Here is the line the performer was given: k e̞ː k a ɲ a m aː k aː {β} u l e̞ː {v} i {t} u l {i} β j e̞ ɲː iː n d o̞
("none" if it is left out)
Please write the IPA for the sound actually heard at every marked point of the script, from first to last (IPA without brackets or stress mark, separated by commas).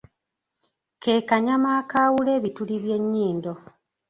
w, β, t, i